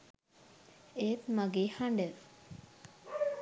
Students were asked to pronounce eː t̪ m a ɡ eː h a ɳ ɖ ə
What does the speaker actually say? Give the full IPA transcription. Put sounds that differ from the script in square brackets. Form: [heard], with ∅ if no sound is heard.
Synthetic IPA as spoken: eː t̪ m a ɡ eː h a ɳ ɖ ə